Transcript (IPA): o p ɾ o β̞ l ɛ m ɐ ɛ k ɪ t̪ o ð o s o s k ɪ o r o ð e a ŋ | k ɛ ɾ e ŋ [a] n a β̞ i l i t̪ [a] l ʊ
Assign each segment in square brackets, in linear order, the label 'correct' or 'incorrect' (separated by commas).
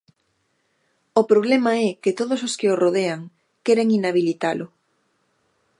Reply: incorrect, correct